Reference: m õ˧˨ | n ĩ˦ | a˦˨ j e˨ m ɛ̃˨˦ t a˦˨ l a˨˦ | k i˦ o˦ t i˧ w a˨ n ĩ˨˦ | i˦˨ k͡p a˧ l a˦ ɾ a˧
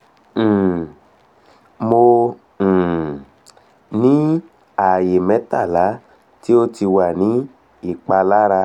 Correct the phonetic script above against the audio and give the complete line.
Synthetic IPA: m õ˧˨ | n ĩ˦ | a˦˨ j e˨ m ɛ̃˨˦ t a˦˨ l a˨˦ | t i˦ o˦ t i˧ w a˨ n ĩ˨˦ | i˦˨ k͡p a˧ l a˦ ɾ a˧